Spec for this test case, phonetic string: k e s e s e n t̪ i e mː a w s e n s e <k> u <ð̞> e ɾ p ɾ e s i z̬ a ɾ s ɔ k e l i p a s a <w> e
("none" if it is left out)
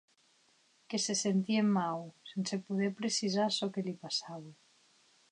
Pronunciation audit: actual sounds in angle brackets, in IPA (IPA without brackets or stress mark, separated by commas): p, ð̞, β